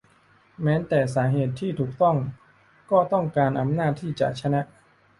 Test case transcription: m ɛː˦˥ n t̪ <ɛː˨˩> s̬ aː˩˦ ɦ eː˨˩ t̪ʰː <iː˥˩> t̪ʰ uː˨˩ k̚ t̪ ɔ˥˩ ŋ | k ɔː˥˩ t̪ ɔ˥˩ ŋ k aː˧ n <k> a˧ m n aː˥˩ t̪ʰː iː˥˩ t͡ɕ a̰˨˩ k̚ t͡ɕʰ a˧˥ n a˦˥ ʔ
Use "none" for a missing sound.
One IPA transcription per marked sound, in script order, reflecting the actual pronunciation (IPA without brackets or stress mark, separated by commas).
ɛː˨˩, iː˥˩, ʔ